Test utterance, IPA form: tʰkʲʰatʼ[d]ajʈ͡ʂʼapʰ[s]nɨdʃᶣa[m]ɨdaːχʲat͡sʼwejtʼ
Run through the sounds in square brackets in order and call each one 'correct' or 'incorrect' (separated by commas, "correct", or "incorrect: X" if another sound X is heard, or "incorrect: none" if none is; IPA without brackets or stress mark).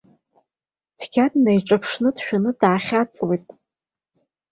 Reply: incorrect: n, incorrect: ʂ, incorrect: n